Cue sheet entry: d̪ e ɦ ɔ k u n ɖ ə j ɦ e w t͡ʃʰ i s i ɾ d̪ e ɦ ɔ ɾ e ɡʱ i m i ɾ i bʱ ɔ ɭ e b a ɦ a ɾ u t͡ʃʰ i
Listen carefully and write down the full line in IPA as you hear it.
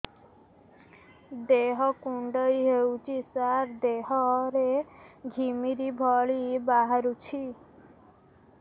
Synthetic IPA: d̪ e ɦ ɔ k u ɳ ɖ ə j ɦ e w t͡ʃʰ i s a ɾ d̪ e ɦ ɔ ɾ e ɡʱ i m i ɾ i bʱ ɔ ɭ i b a ɦ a ɾ u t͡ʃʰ i